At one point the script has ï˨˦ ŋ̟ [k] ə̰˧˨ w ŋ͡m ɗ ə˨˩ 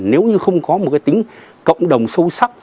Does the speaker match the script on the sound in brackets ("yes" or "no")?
yes